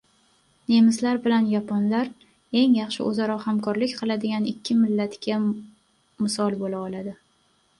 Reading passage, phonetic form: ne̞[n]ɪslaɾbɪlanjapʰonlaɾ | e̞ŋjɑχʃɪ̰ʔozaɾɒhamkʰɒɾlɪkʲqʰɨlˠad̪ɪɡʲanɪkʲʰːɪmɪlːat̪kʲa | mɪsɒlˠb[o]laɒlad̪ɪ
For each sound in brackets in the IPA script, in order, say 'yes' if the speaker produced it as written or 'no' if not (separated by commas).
no, yes